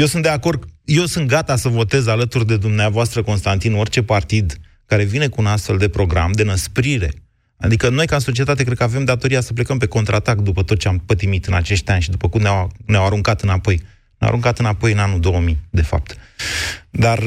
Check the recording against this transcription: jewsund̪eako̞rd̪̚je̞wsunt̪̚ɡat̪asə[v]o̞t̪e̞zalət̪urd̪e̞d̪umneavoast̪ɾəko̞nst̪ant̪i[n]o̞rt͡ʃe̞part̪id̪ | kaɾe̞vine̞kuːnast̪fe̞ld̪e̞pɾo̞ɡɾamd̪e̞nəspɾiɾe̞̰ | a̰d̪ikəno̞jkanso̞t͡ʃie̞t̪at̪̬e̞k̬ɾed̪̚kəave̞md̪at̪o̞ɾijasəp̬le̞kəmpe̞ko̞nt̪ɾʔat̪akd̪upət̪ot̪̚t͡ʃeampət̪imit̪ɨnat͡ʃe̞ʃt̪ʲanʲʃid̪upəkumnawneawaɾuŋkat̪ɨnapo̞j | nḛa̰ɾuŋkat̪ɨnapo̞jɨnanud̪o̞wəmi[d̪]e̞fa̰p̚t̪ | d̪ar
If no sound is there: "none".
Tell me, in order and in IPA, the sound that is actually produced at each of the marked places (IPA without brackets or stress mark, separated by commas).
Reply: v, n, d̪